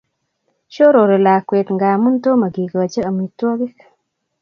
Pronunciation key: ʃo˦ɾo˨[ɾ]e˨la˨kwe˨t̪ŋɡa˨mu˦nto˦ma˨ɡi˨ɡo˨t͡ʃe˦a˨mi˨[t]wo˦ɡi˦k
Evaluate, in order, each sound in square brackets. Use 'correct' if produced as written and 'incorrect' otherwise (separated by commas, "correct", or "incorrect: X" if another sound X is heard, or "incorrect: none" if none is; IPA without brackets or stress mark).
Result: correct, correct